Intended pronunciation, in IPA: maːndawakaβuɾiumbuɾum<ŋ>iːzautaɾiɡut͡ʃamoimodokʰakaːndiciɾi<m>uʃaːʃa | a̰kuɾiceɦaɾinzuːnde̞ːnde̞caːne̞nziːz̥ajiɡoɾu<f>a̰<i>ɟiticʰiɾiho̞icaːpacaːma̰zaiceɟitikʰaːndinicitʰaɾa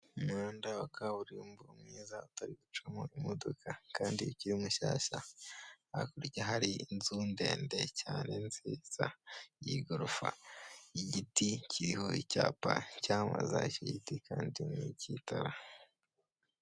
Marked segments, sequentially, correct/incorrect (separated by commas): correct, correct, correct, correct